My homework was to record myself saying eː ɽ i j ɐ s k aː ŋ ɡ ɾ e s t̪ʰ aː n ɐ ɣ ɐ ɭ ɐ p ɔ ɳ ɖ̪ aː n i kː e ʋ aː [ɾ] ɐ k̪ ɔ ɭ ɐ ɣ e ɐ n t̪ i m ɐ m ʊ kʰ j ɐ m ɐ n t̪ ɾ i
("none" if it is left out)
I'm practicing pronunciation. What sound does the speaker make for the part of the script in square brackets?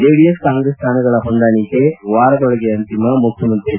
ɾ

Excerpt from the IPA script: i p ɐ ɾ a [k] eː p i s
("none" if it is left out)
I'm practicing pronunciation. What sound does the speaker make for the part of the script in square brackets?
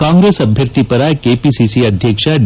k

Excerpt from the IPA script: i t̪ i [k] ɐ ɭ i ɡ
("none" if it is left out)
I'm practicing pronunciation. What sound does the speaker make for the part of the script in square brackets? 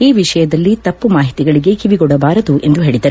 ɡ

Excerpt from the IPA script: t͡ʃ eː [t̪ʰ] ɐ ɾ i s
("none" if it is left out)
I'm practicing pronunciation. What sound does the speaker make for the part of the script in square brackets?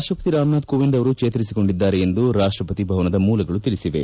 t̪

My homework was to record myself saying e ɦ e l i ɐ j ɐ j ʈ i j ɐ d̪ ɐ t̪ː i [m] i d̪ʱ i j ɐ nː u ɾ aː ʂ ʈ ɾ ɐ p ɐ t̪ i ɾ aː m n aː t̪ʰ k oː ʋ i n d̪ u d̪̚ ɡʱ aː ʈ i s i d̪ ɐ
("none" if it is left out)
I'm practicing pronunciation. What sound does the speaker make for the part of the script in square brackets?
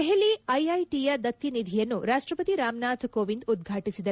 n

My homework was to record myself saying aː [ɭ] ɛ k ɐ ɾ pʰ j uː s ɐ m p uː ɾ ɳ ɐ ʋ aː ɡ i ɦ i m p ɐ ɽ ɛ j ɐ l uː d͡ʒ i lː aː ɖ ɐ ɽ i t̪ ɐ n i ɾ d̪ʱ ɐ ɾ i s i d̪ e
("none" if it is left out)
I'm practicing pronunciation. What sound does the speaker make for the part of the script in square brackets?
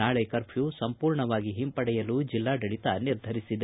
ɭ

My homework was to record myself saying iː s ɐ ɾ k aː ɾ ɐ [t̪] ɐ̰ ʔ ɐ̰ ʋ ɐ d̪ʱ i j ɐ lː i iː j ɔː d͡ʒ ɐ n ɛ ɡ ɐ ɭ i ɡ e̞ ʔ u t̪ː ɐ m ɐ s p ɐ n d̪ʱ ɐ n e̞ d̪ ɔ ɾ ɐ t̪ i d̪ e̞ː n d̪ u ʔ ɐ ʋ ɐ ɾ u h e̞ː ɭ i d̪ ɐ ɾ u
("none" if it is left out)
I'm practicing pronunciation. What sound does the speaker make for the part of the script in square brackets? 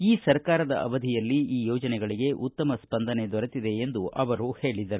d̪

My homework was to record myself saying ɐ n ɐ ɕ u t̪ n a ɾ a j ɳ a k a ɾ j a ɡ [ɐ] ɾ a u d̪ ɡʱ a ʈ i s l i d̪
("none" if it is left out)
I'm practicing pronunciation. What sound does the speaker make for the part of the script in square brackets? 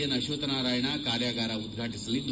a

